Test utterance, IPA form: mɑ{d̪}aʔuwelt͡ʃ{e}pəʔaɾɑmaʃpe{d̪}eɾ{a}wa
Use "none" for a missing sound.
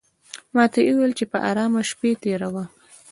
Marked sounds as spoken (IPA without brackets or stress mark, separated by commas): t̪, e, t̪, a